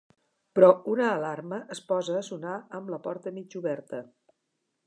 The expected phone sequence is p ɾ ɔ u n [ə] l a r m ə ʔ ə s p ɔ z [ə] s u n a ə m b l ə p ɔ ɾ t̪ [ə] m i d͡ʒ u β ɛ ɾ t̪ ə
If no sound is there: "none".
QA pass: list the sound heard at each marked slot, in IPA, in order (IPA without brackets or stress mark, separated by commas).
əː, əː, ə